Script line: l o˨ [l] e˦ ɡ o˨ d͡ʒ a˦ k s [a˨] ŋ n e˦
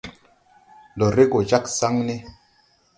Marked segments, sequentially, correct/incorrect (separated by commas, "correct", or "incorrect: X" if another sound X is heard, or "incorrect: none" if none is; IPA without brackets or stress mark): incorrect: ɾ, incorrect: a˦